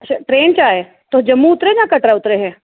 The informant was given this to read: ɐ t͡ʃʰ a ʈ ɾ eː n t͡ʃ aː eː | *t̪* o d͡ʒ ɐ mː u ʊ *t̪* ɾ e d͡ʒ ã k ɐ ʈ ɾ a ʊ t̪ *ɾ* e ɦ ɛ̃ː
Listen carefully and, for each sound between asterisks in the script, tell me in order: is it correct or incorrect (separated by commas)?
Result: correct, correct, correct